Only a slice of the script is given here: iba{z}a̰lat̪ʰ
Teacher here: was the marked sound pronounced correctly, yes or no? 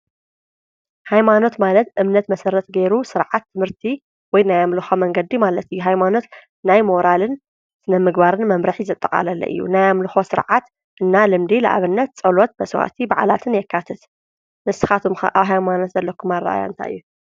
no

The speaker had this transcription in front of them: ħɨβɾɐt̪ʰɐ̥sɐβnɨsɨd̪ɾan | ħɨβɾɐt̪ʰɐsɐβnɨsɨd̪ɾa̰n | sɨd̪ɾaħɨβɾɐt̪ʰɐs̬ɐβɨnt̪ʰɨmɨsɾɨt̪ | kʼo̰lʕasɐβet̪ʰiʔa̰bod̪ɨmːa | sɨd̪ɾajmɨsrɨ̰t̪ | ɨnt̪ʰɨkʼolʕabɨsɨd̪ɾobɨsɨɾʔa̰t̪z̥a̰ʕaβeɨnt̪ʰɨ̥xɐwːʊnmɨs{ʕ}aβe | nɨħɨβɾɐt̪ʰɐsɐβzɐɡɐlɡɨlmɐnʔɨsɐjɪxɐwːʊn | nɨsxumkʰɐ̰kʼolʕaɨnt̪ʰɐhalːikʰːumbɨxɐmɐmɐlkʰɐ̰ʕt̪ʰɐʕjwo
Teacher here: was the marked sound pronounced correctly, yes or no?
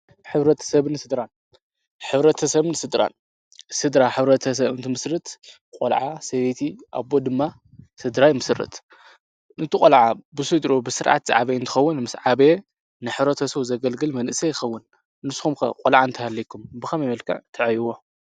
yes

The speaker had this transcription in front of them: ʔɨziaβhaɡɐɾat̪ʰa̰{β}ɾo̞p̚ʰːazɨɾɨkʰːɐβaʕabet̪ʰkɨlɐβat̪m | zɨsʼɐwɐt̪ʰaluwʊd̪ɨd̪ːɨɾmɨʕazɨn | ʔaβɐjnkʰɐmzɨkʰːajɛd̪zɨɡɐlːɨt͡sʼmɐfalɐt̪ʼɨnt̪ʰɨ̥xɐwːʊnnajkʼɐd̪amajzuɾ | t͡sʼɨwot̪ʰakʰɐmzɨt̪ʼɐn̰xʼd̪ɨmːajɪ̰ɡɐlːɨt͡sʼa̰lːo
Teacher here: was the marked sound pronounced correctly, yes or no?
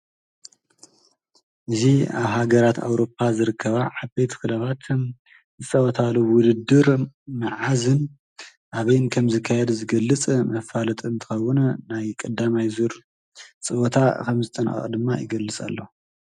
no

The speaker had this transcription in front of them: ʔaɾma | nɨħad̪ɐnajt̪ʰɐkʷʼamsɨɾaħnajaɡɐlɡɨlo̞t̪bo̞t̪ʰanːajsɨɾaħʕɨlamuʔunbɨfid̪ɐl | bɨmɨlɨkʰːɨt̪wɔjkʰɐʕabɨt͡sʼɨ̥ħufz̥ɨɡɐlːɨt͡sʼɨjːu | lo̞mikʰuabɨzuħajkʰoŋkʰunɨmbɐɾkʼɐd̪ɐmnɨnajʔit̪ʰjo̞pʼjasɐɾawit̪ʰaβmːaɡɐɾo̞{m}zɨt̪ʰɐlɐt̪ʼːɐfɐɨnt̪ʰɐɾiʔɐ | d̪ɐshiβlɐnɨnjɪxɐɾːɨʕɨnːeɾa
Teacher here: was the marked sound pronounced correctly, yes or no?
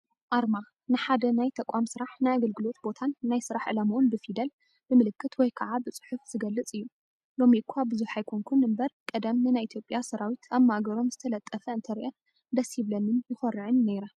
yes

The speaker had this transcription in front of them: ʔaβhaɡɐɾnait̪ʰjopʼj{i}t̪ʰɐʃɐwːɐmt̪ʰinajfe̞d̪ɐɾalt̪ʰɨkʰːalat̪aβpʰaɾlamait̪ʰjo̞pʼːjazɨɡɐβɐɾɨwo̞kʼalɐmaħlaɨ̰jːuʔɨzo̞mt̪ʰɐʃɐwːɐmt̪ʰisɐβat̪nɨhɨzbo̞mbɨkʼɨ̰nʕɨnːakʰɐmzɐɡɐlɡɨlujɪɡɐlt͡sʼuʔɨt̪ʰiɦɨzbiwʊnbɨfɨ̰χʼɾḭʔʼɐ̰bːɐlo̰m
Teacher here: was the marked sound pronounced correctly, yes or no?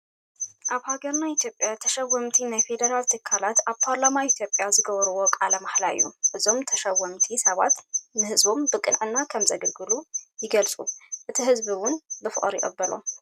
no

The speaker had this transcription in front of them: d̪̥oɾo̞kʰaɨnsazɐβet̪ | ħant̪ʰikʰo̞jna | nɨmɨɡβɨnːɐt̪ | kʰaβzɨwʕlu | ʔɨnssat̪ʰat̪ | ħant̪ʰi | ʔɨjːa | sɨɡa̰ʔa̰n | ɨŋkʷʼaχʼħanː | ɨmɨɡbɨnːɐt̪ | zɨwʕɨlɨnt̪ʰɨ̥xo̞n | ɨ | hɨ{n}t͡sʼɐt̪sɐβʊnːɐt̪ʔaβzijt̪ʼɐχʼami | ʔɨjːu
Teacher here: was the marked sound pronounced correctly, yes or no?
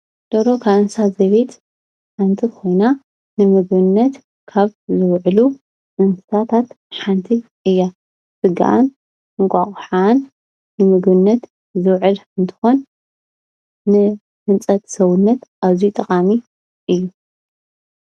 yes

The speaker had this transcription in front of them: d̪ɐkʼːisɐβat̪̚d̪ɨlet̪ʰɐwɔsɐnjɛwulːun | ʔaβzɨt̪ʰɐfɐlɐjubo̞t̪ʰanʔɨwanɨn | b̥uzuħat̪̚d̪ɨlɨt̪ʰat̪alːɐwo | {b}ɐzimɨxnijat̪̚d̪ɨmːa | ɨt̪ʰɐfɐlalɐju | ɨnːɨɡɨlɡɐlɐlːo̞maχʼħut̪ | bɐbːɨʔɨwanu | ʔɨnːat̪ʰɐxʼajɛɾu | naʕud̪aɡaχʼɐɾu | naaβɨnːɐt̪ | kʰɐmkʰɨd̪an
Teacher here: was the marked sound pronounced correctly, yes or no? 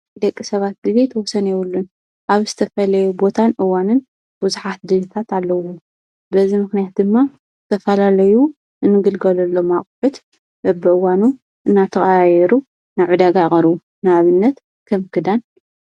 yes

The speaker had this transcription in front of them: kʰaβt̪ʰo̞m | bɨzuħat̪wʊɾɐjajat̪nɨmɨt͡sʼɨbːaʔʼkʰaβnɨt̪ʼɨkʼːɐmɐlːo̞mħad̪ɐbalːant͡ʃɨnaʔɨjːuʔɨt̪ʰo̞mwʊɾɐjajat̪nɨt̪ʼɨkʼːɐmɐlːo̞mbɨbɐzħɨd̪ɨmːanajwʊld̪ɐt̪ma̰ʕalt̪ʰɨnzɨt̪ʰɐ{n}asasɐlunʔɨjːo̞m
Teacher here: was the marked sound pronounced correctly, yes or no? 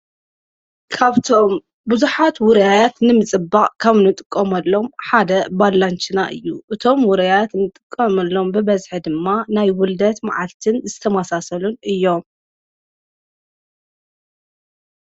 no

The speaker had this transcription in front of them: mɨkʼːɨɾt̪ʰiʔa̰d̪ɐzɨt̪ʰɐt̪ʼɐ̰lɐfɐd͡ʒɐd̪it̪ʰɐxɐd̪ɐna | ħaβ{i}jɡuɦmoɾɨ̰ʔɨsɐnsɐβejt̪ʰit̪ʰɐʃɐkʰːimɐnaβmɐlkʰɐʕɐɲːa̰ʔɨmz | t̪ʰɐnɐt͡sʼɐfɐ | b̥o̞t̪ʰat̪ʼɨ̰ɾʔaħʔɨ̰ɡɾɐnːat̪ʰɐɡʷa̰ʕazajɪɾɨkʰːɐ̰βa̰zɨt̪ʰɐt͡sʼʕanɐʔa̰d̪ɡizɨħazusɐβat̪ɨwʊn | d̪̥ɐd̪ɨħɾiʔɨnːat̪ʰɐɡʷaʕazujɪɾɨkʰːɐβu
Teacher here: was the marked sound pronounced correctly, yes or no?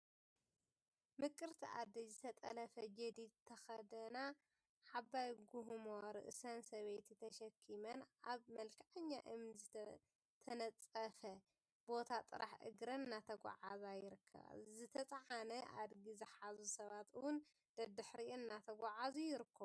no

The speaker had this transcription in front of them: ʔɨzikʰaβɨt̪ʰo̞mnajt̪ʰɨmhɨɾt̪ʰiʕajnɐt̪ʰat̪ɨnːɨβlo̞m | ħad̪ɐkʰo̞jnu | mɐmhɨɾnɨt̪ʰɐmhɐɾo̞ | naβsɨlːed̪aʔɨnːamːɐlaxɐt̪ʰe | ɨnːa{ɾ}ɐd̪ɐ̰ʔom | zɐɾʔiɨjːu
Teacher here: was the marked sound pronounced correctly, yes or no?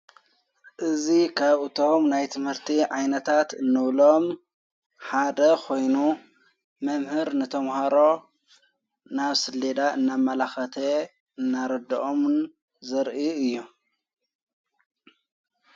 yes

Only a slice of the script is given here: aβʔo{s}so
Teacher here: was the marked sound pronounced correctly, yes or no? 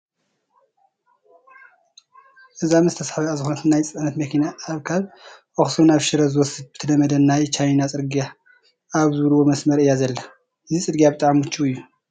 no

